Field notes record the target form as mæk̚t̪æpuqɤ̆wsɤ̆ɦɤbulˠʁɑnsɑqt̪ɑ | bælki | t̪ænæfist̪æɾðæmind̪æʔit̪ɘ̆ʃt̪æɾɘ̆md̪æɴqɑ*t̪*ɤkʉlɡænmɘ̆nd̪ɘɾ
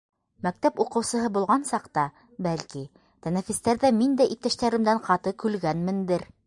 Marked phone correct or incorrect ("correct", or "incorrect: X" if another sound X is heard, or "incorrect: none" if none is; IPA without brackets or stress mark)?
correct